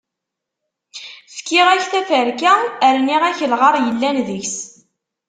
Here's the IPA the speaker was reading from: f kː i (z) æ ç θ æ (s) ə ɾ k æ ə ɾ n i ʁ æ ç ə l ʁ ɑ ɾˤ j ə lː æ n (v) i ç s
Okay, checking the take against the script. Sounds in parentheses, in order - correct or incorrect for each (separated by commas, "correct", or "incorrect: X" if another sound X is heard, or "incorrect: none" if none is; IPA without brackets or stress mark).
incorrect: ʁ, incorrect: f, incorrect: ð